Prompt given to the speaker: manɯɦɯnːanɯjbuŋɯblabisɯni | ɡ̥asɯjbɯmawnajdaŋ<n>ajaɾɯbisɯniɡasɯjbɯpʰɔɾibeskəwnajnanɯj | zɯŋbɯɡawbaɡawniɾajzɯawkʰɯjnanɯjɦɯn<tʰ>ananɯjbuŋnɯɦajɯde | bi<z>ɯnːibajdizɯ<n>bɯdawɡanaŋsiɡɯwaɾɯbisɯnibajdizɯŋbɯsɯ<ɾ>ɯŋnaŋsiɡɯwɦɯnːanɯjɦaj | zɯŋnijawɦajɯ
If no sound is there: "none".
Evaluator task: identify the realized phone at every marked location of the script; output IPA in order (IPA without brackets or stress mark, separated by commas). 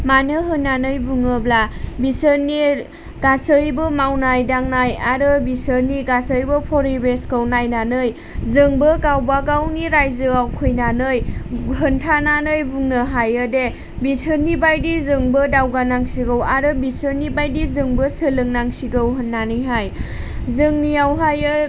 n, tʰ, s, ŋ, l